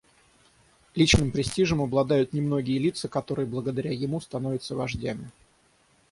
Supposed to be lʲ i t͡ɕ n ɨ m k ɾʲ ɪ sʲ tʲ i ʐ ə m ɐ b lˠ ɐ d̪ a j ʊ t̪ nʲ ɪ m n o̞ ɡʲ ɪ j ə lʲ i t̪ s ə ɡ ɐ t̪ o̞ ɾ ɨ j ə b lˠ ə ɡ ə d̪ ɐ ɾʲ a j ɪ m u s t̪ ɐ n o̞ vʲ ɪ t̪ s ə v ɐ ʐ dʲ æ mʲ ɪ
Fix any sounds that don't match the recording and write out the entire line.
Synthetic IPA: lʲ i t͡ɕ n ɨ m p ɾʲ ɪ sʲ tʲ i ʐ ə m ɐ b lˠ ɐ d̪ a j ʊ t̪ nʲ ɪ m n o̞ ɡʲ ɪ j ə lʲ i t̪ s ə k ɐ t̪ o̞ ɾ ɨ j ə b lˠ ə ɡ ə d̪ ɐ ɾʲ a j ɪ m u s t̪ ɐ n o̞ vʲ ɪ t̪ s ə v ɐ ʐ dʲ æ mʲ ɪ